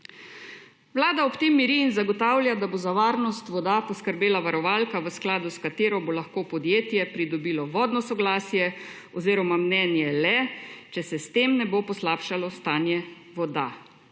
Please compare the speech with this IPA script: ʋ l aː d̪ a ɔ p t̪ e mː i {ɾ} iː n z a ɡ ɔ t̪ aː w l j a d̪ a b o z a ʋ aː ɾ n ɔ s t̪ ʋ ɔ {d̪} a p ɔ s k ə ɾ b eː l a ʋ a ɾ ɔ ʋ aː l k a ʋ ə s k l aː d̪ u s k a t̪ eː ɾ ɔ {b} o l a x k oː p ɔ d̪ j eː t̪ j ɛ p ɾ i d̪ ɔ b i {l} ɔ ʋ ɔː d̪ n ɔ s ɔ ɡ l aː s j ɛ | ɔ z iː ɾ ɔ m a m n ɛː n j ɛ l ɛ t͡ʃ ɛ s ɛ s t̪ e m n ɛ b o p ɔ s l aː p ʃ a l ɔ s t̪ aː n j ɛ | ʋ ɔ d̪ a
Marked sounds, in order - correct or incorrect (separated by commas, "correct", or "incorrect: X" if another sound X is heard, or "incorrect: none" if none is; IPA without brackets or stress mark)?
correct, correct, correct, correct